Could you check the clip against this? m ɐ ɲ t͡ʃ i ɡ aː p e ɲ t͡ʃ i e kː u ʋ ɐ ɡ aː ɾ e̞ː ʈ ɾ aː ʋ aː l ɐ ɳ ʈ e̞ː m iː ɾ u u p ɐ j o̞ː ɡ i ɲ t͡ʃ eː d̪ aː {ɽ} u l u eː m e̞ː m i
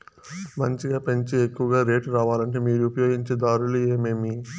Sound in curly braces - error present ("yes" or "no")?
yes